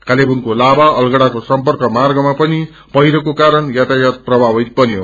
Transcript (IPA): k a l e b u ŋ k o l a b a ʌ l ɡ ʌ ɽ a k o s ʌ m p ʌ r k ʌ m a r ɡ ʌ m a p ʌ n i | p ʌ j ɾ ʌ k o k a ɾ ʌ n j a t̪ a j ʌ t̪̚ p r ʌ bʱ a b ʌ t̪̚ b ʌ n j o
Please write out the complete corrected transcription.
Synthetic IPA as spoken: k a l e b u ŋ k o l a b a ʌ l ɡ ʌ ɽ a k o s ʌ m p ʌ r k ʌ m a r ɡ ʌ m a p ʌ n i | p ʌ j ɾ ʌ k o k a ɾ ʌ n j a t̪ a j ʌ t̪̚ p r ʌ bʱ a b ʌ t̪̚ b ʌ n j o